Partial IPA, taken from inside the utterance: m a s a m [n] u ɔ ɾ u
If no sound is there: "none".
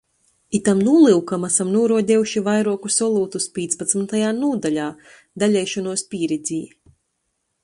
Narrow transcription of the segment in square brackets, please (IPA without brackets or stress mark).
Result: n